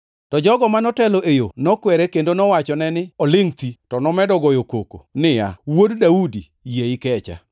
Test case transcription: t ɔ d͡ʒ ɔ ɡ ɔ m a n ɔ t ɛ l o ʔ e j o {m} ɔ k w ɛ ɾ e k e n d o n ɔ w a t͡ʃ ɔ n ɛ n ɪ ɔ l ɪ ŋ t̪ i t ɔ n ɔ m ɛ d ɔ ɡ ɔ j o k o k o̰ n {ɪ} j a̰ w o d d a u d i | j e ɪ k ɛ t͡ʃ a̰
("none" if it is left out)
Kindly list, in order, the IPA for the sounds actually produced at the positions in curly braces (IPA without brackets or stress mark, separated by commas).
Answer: n, ɪ